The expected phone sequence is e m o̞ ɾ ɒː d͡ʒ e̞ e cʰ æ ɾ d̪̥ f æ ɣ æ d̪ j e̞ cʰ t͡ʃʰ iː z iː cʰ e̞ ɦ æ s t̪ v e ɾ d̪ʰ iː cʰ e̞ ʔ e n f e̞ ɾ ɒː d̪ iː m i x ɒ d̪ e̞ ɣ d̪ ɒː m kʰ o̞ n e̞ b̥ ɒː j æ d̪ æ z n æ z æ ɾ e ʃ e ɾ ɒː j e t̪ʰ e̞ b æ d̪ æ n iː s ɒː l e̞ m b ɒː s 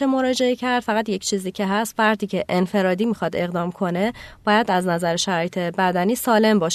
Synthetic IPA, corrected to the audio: e m o̞ ɾ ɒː d͡ʒ e̞ e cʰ æ ɾ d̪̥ f æ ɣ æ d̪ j e̞ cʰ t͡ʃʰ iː z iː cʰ e̞ ɦ æ s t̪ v æ ɾ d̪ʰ iː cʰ e̞ ʔ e n f e̞ ɾ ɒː d̪ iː m i x ɒ d̪ e̞ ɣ d̪ ɒː m kʰ o̞ n e̞ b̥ ɒː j æ d̪ æ z n æ z æ ɾ e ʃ æ ɾ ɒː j e t̪ʰ e̞ b æ d̪ æ n iː s ɒː l e̞ m b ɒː ʃ